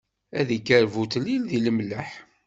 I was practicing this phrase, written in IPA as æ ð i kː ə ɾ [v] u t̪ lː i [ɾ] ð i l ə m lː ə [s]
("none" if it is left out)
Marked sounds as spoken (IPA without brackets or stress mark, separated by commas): v, l, ħ